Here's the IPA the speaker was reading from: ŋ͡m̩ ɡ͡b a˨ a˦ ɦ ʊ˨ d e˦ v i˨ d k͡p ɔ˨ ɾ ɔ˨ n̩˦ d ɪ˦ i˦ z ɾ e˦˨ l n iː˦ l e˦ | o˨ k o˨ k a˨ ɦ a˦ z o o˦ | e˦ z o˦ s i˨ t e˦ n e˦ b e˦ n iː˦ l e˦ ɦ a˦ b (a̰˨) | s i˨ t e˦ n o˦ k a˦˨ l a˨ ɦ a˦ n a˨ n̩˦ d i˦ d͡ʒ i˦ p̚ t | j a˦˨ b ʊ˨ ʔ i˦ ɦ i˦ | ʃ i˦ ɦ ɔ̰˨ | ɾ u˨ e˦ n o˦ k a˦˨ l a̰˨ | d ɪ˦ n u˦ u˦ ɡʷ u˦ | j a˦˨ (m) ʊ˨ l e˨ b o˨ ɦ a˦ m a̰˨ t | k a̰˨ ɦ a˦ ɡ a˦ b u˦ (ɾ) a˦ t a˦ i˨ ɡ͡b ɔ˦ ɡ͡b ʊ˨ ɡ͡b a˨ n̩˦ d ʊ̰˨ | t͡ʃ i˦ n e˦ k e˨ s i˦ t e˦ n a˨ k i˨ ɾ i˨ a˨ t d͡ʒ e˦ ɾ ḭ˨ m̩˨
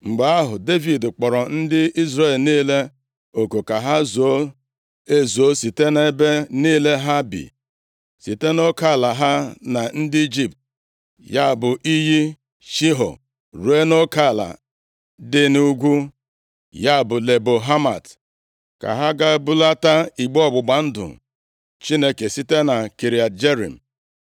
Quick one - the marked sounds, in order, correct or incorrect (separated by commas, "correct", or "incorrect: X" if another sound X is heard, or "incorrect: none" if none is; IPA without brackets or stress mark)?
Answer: incorrect: ḭ˨, incorrect: b, incorrect: l